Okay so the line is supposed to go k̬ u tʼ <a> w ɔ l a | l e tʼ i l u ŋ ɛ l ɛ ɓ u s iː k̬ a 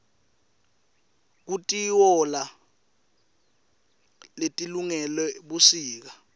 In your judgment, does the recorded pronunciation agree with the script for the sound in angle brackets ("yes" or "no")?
no